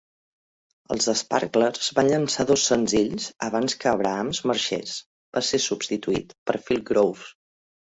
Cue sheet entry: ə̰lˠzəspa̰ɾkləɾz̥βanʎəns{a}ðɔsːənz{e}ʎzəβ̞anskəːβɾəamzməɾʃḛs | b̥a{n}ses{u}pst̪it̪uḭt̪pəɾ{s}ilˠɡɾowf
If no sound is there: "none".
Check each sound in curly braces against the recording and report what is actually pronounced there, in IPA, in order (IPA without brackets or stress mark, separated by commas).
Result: a, i, none, u, f